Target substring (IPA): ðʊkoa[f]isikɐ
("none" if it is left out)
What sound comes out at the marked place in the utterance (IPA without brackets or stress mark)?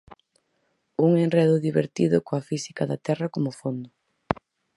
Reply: f